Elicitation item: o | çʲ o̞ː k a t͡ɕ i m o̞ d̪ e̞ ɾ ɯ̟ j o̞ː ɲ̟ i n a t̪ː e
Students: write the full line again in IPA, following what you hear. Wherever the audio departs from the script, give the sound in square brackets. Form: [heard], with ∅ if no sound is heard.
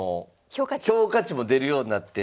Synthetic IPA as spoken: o | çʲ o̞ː k a t͡ɕ i m o̞ d̪ e̞ ɾ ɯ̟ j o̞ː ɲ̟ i n a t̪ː e

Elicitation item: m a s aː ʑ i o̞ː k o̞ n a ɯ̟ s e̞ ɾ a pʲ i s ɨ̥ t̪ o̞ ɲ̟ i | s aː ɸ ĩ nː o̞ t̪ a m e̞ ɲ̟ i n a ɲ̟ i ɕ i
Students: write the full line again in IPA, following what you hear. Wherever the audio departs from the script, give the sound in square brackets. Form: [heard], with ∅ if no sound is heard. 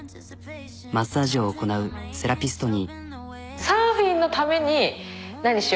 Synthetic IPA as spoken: m a s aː ʑ i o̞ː k o̞ n a ɯ̟ s e̞ ɾ a pʲ i s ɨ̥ t̪ o̞ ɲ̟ i | s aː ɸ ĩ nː o̞ t̪ a m e̞ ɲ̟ i n a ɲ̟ i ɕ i

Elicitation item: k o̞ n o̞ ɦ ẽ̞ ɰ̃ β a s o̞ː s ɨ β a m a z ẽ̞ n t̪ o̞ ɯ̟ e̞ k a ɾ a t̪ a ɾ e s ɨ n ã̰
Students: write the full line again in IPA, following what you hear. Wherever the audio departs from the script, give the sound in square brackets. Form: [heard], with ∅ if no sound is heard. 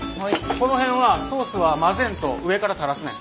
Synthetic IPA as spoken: k o̞ n o̞ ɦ ẽ̞ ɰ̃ β a s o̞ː s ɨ β a m a z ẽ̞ n t̪ o̞ ɯ̟ e̞ k a ɾ a t̪ a ɾ [a] s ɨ n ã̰

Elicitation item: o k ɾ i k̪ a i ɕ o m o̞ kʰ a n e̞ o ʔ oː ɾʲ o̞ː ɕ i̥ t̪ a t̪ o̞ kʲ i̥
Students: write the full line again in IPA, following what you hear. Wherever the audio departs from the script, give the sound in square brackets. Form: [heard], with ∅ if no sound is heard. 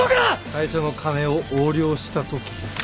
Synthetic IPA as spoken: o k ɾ [a] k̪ a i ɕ o [n] o̞ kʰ a n e̞ o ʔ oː ɾʲ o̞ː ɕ i̥ t̪ a t̪ o̞ kʲ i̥

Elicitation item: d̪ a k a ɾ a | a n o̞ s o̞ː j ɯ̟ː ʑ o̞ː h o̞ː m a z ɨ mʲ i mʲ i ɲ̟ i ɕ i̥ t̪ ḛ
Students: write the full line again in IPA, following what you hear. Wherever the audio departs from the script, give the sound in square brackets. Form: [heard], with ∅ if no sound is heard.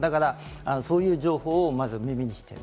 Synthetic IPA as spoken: d̪ a k a ɾ a | a n o̞ s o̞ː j ɯ̟ː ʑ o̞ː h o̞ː m a z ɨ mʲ i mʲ i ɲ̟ i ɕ i̥ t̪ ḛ

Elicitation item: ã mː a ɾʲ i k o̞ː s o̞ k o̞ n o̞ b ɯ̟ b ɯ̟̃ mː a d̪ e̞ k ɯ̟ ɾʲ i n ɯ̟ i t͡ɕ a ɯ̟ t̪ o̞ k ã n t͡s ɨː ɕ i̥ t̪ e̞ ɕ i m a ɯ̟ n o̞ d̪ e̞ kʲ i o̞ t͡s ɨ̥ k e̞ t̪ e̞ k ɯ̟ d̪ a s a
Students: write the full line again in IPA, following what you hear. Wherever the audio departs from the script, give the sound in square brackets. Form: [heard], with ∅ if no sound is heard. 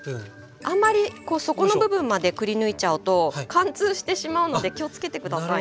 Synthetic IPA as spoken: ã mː a ɾʲ i k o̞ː s o̞ k o̞ n o̞ b ɯ̟ b ɯ̟̃ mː a d̪ e̞ k ɯ̟ ɾʲ i n ɯ̟ i t͡ɕ a ɯ̟ t̪ o̞ k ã n t͡s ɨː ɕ i̥ t̪ e̞ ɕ i m a ɯ̟ n o̞ d̪ e̞ kʲ i o̞ t͡s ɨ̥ k e̞ t̪ e̞ k ɯ̟ d̪ a s a

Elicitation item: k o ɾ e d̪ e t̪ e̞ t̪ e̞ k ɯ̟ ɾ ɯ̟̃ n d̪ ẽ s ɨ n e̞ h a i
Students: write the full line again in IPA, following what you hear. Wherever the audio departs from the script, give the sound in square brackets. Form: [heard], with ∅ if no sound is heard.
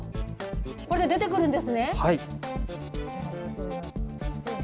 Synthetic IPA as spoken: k o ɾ e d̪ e [d̪] e̞ t̪ e̞ k ɯ̟ ɾ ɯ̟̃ n d̪ [e] s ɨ n e̞ h a i

